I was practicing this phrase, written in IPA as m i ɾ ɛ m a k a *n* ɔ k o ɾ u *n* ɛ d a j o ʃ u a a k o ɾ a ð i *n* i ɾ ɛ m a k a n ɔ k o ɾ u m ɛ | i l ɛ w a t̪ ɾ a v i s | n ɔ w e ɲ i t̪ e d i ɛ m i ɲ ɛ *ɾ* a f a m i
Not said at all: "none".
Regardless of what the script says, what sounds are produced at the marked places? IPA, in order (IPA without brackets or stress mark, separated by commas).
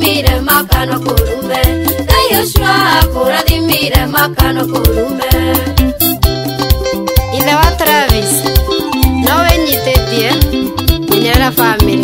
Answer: n, m, m, ɾ